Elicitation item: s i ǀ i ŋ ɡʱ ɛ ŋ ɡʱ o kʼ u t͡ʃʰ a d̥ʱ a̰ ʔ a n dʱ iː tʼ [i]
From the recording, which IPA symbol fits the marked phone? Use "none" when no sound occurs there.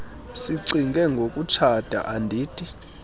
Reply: i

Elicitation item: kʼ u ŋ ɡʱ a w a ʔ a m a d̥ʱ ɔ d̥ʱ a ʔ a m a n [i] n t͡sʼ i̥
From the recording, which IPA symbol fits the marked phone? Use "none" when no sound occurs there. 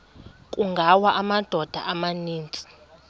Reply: iː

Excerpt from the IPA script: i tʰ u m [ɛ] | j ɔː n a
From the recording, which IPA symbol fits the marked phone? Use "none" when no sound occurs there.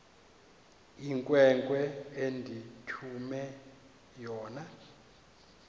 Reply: ɛ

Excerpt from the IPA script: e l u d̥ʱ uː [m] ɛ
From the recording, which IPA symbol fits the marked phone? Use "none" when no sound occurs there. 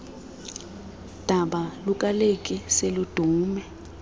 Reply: m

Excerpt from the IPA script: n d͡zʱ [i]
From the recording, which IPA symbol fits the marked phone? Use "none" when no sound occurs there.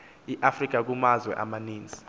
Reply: i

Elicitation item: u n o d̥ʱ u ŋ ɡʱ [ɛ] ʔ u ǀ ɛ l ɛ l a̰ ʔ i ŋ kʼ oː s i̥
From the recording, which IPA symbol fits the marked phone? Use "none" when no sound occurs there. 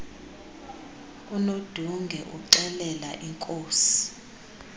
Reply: ɛ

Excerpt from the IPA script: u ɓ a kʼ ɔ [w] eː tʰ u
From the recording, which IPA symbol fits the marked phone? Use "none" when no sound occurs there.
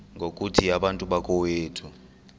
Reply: w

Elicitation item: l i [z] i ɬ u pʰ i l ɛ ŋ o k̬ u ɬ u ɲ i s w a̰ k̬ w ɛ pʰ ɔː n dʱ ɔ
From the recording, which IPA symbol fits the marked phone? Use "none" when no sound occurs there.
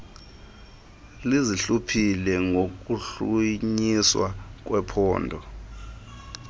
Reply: z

